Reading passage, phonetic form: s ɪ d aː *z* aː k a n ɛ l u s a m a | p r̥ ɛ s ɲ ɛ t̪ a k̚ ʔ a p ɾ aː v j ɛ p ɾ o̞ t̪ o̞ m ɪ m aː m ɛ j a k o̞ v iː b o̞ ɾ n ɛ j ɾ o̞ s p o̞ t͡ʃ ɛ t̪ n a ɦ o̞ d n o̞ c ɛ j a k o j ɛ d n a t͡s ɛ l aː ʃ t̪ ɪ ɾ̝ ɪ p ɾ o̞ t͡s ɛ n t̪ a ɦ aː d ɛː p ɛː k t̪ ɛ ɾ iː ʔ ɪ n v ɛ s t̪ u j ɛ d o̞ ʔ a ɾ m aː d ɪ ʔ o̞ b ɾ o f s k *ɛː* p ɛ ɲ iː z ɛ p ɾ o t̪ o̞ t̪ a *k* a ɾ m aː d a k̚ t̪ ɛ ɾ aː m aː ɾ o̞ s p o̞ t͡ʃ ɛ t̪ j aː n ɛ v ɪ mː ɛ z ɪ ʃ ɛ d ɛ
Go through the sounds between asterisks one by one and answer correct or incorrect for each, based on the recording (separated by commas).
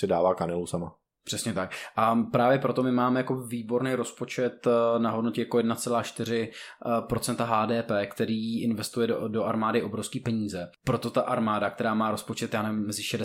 incorrect, incorrect, incorrect